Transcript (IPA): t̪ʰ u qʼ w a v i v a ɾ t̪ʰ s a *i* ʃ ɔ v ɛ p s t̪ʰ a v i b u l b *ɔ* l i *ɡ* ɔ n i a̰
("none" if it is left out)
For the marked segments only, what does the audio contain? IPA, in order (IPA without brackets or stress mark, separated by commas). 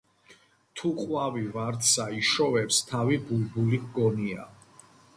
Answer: i, u, ɡ